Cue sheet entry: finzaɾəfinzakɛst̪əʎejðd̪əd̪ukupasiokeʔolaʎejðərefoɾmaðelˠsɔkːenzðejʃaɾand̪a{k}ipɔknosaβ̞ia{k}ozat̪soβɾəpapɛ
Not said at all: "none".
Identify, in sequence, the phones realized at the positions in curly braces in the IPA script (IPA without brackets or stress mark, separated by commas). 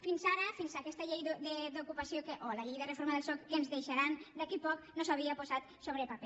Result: k, p